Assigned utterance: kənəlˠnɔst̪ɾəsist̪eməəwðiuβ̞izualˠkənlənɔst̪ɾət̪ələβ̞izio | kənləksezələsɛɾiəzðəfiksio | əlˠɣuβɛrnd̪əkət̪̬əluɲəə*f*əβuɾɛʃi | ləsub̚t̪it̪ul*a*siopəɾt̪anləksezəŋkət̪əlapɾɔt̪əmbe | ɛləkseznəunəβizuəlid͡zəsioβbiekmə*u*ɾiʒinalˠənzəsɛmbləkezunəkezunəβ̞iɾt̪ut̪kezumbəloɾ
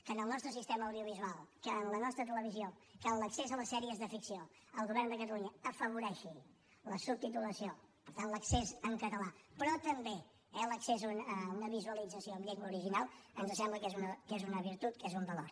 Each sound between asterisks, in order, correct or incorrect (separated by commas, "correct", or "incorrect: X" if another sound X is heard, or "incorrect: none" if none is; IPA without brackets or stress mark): correct, incorrect: ə, correct